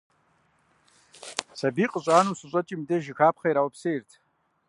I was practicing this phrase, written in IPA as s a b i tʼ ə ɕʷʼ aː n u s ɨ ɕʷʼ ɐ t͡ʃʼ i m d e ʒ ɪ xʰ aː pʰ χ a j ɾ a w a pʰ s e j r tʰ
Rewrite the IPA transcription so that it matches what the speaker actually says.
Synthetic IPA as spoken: s a b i qʼ ə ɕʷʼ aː n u s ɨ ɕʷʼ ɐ t͡ʃʼ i m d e ʒ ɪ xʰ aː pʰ χ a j ɾ a w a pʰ s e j r tʰ